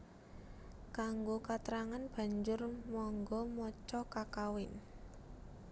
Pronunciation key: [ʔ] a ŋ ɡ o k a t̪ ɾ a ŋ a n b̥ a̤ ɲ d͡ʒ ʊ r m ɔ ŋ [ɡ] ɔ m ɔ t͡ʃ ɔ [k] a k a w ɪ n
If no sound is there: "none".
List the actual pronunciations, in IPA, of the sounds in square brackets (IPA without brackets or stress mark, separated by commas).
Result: k, ɡ, k